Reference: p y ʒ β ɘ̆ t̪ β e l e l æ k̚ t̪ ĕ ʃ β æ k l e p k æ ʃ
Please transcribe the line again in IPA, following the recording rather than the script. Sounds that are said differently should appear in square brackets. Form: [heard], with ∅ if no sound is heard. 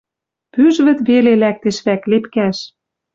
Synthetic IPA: p y ʒ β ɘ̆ t̪ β e l e l æ k̚ t̪ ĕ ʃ β æ k l e p k æ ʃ